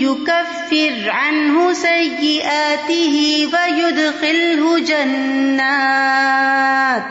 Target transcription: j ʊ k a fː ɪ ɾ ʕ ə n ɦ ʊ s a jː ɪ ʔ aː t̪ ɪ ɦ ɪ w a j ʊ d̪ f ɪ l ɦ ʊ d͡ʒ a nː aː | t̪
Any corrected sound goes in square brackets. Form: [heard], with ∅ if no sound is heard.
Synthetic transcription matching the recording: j ʊ k a fː ɪ ɾ ʕ [a] n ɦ ʊ s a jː ɪ ʔ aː t̪ ɪ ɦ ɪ w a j ʊ d̪ [x] ɪ l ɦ ʊ d͡ʒ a nː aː | t̪